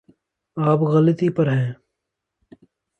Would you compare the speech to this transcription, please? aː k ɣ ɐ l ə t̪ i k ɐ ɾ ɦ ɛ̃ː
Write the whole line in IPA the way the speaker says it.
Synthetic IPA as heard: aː p ɣ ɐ l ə t̪ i p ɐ ɾ ɦ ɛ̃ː